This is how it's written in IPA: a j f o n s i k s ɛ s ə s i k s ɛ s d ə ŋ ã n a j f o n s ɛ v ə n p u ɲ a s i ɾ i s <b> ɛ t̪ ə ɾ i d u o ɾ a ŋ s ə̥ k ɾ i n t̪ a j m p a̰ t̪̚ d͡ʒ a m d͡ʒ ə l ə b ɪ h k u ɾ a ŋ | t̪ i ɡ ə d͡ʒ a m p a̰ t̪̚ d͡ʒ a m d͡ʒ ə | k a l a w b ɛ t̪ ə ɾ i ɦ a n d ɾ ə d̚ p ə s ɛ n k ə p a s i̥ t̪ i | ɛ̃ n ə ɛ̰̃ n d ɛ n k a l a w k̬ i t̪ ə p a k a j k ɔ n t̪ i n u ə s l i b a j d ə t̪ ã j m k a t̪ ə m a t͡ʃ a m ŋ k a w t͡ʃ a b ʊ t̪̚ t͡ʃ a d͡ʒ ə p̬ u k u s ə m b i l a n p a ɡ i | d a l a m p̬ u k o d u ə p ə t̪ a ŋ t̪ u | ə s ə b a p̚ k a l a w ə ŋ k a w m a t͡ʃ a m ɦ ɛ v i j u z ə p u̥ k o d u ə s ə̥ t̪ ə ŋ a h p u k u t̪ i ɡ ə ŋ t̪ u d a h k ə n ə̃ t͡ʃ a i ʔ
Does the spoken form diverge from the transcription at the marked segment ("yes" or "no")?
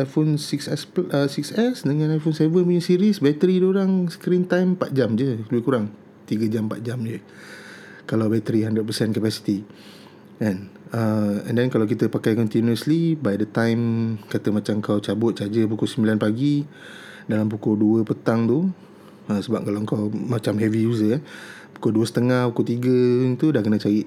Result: no